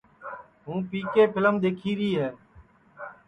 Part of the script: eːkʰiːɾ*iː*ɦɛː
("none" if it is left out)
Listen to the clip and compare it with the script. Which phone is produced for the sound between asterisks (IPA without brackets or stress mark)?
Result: iː